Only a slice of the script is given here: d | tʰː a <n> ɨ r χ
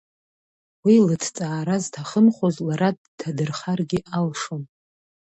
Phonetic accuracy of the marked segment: incorrect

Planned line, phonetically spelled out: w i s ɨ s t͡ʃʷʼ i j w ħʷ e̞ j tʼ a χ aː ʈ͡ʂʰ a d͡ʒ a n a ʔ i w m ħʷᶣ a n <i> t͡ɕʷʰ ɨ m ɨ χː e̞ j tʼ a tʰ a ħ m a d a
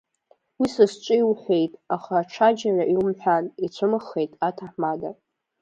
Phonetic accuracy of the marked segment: correct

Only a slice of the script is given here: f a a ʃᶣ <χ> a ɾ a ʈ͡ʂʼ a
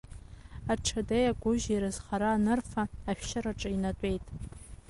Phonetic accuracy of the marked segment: incorrect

